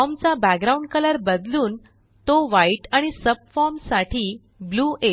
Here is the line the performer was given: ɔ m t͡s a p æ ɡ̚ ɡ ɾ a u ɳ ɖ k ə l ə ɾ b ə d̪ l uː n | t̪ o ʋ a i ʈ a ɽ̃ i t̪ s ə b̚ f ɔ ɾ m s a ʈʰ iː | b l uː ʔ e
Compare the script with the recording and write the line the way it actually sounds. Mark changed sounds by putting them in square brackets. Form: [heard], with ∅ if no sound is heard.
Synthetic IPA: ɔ m t͡s a [b] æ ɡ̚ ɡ ɾ a u ɳ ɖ k ə l ə ɾ b ə d̪ l uː n | t̪ o ʋ a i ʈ a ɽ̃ i [∅] s ə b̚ f ɔ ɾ m s a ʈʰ iː | b l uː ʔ e